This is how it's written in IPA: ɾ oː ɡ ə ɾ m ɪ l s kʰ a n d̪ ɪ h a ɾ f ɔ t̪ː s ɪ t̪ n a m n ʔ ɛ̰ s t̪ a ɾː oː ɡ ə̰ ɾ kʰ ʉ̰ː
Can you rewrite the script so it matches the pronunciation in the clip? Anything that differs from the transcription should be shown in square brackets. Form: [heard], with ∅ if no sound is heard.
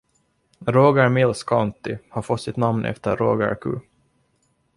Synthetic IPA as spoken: ɾ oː ɡ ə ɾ m ɪ l s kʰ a n [t̪] ɪ h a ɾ f ɔ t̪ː s ɪ t̪ n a m n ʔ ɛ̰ [f] t̪ [ə] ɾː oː ɡ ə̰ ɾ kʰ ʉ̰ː

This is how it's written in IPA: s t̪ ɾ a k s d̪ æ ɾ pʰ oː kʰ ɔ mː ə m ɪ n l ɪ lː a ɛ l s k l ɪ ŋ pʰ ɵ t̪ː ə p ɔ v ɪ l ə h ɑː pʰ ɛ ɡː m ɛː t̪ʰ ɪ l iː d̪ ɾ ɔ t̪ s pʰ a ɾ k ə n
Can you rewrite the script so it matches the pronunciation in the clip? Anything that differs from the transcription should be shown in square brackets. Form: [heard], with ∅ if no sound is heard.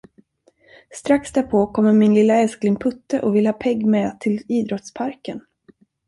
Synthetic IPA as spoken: s t̪ ɾ a k s d̪ æ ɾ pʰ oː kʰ ɔ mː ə m ɪ n l ɪ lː a ɛ l s k l ɪ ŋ pʰ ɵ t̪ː ə [ʔ] ɔ v ɪ l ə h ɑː pʰ ɛ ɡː m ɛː t̪ʰ ɪ l iː d̪ ɾ ɔ t̪ s pʰ a ɾ k ə n

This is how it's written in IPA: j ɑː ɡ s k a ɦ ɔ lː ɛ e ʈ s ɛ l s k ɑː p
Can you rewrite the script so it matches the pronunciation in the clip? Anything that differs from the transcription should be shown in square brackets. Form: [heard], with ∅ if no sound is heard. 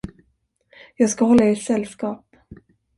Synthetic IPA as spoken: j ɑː ɡ s k a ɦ ɔ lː [a] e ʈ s ɛ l s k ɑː p

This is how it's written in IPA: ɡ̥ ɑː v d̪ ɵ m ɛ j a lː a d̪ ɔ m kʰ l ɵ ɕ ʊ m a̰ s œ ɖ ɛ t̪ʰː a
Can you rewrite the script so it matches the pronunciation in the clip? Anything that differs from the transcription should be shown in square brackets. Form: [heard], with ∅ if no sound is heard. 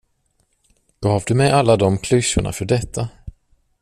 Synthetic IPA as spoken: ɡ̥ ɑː v d̪ ɵ m ɛ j a lː a d̪ ɔ m kʰ l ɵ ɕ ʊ [ɳ] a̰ [f] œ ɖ ɛ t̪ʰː a

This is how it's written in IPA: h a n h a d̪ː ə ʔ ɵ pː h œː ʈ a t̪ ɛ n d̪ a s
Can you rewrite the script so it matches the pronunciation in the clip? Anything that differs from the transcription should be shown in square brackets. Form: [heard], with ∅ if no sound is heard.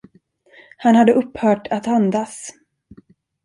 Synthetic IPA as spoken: h a n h a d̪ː ə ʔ ɵ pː h œː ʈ a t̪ [a] n d̪ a s

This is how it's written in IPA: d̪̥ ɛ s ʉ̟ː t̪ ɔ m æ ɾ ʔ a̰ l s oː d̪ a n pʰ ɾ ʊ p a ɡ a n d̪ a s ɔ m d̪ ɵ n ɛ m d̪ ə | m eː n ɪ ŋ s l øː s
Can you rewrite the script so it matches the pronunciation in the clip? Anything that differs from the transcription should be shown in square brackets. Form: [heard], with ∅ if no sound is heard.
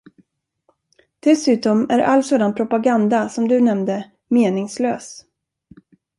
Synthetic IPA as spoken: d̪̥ ɛ s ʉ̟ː t̪ ɔ m æ ɾ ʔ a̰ l s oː d̪ a n pʰ ɾ ʊ p a ɡ a n d̪ a s ɔ m d̪ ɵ n ɛ m d̪ ə | m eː n ɪ ŋ s l øː s

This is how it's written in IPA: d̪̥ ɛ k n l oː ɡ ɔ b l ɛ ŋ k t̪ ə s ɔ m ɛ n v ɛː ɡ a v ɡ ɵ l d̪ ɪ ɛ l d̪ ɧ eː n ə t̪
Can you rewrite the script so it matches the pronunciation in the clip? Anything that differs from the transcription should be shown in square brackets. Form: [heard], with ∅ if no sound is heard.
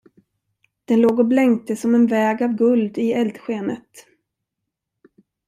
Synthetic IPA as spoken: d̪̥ ɛ [∅] n l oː ɡ ɔ b l ɛ ŋ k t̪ ə s ɔ m ɛ n v ɛː ɡ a v ɡ ɵ l d̪ ɪ ɛ l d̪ ɧ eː n ə t̪

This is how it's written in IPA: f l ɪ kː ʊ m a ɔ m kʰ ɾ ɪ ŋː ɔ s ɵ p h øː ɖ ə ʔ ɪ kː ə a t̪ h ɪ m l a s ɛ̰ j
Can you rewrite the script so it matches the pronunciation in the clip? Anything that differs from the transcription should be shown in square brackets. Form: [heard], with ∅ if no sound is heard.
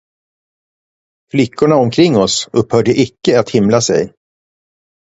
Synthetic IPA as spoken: f l ɪ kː ʊ [ɳ] a ɔ m kʰ ɾ ɪ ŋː ɔ s ɵ p h [œː] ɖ ə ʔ ɪ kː ə a t̪ h ɪ m l a s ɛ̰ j

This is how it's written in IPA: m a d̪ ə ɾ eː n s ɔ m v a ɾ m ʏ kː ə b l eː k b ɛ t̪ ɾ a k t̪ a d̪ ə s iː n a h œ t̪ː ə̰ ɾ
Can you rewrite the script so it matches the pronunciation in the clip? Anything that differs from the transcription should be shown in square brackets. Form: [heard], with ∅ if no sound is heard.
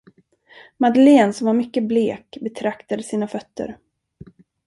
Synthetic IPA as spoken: m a d̪ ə [l] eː n s ɔ m v a ɾ m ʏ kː ə b l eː k b ɛ [t̪ʰ] ɾ a k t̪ a d̪ ə s iː n a [f] œ t̪ː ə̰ ɾ

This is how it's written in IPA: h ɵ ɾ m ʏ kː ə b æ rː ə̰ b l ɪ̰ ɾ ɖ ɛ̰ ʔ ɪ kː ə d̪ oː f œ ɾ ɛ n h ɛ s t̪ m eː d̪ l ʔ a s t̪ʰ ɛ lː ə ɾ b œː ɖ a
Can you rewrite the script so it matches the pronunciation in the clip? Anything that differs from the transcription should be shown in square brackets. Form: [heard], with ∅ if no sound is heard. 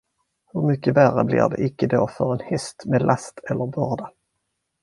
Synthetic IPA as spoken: h ɵ ɾ m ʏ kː ə [v] æ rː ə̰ b l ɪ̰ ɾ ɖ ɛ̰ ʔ ɪ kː ə d̪ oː f œ ɾ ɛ n h ɛ s t̪ m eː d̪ l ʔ a s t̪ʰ ɛ lː ə ɾ b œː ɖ a

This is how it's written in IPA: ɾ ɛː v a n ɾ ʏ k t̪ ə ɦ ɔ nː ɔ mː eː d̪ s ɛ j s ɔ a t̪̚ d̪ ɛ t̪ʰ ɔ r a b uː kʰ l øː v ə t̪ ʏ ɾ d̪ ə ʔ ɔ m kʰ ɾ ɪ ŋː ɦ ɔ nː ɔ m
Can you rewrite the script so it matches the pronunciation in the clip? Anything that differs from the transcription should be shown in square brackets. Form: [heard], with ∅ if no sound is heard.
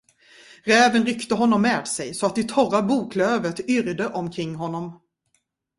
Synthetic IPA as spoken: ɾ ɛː v [ə] n ɾ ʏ k t̪ ə ɦ ɔ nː ɔ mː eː d̪ s ɛ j s ɔ a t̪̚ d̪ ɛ t̪ʰ ɔ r a b uː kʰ l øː v ə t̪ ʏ ɾ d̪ ə ʔ ɔ m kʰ ɾ ɪ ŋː ɦ ɔ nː ɔ m

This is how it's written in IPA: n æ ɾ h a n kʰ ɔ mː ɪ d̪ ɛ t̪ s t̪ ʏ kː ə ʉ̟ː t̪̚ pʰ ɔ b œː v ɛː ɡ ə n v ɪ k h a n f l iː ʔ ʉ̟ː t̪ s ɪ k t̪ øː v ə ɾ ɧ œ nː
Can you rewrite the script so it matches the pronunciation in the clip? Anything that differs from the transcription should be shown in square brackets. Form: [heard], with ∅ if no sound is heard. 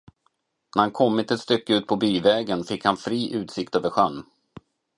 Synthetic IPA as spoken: n æ ɾ h a n kʰ ɔ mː ɪ [t̪] ɛ t̪ s t̪ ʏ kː ə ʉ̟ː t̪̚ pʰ ɔ b [yː] v ɛː ɡ ə n [f] ɪ k h a n f [ɾ] iː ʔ ʉ̟ː t̪ s ɪ k t̪ øː v ə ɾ ɧ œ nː

